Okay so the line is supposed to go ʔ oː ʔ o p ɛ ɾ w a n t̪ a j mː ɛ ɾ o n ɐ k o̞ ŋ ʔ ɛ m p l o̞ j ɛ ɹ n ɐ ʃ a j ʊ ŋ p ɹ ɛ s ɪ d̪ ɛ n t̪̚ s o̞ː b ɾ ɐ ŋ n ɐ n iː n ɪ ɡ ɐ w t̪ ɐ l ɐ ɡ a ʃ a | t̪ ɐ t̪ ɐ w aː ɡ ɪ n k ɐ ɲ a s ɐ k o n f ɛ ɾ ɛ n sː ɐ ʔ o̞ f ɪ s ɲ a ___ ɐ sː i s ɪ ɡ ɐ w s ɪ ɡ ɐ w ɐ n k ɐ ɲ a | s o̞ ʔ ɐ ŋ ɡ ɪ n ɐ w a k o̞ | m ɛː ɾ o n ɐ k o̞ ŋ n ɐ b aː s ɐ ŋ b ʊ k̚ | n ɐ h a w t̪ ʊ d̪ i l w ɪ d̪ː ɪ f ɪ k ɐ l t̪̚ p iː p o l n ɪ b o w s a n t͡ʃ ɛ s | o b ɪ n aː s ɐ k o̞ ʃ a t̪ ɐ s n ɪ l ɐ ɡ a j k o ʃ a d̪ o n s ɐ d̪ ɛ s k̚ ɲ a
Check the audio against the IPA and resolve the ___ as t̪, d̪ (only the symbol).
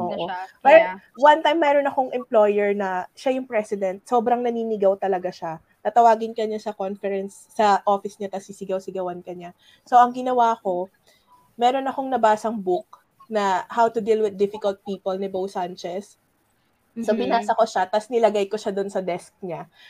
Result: t̪